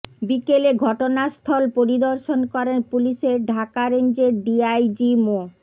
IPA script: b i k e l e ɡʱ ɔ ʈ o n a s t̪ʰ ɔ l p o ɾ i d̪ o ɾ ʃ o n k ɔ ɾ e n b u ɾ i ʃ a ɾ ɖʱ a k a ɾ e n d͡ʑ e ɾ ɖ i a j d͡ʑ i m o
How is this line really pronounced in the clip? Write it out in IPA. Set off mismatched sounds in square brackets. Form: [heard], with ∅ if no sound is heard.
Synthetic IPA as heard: b i k e l e ɡʱ ɔ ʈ o n a s t̪ʰ ɔ l p o ɾ i d̪ o ɾ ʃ o n k ɔ ɾ e n [p] u [l] i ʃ [e] ɾ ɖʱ a k a ɾ e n d͡ʑ e ɾ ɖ i a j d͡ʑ i m o